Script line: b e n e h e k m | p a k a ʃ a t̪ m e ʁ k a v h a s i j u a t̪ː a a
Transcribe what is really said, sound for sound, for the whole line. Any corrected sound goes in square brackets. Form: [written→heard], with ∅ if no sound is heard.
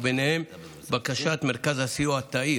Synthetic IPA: b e n e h e [k→∅] m | [p→b] a k a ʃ a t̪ m e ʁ k a [v→z] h a s i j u a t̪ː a [a→i]

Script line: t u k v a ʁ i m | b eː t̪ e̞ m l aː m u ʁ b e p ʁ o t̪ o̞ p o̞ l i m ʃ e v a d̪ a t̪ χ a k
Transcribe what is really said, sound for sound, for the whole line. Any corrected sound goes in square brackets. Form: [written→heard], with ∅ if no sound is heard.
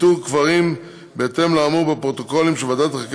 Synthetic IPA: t u k v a ʁ i m | b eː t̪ e̞ m l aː m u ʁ b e p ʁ o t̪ o̞ [p→k] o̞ l i m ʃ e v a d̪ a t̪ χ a k

